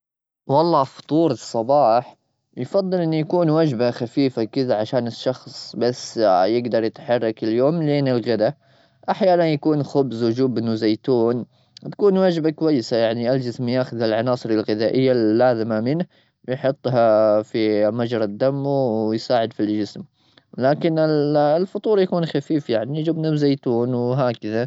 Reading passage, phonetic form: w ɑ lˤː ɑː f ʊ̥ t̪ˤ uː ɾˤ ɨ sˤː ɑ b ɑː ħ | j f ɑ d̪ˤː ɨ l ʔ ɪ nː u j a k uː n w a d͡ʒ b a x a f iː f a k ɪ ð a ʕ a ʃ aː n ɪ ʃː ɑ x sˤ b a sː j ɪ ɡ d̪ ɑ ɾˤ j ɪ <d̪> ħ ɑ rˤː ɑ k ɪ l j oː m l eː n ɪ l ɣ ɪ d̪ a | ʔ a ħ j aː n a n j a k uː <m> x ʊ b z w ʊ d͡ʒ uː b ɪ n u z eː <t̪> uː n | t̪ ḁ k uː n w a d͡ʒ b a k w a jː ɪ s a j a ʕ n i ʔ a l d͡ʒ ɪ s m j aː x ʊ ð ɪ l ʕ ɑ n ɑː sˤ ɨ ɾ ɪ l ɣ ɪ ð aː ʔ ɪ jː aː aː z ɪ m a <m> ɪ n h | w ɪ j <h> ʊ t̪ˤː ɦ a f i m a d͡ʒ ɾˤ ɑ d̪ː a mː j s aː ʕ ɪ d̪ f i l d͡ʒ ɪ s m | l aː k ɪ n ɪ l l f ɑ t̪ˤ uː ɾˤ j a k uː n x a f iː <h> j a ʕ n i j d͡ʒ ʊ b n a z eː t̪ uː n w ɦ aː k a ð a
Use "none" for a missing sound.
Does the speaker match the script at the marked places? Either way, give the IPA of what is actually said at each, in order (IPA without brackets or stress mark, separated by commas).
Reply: t̪, n, t̪, m, ħ, f